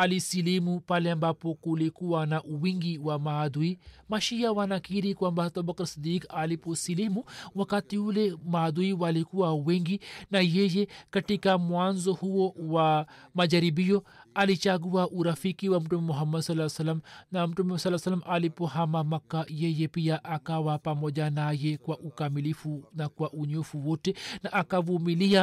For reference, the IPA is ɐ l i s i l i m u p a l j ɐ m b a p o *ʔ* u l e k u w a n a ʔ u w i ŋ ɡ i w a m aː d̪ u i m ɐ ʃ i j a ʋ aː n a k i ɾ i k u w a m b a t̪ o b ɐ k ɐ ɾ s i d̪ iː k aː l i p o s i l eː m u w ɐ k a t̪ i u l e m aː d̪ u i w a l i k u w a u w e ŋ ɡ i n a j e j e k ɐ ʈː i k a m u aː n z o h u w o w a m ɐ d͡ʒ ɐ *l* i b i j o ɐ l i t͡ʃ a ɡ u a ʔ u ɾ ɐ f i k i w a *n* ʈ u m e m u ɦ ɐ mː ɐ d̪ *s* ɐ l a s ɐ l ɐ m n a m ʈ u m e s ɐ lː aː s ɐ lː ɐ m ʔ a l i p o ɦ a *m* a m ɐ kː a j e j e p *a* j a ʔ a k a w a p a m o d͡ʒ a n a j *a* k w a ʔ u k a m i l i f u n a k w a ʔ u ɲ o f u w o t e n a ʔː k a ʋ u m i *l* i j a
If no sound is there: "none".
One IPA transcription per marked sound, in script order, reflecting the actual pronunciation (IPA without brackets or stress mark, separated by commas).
k, ɾ, m, s, m, i, e, l